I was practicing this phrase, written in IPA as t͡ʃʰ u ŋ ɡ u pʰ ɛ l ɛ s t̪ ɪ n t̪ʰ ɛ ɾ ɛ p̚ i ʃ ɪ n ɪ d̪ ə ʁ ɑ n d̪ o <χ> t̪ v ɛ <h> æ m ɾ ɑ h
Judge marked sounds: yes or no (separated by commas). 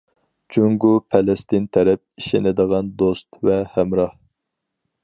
no, yes